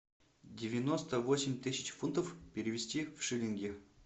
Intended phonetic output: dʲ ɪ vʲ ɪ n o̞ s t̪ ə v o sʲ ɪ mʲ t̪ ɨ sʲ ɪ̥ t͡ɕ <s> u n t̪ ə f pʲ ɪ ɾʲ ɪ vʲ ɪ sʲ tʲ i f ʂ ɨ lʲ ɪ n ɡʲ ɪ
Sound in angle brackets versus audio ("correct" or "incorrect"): incorrect